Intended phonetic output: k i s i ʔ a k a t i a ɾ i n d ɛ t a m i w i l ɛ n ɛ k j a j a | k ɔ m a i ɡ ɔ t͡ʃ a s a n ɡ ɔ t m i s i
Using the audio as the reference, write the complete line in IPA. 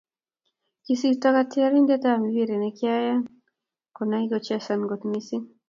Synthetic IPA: k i s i t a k a t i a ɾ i n d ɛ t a m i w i ɾ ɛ n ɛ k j a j a | k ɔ n a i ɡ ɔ t͡ʃ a s a n ɡ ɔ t m i s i